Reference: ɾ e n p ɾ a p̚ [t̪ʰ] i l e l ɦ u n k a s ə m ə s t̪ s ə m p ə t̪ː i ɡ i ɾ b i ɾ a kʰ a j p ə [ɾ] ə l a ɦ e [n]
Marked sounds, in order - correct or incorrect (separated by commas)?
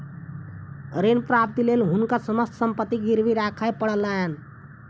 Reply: incorrect, incorrect, correct